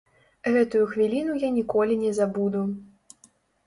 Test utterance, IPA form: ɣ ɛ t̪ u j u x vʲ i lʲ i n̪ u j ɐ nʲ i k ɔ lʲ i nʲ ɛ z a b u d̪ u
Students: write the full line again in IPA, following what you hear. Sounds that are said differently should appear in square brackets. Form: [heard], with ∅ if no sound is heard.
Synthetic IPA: ɣ ɛ t̪ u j u x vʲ i lʲ i n̪ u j [a] nʲ i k ɔ lʲ i nʲ ɛ z a b u d̪ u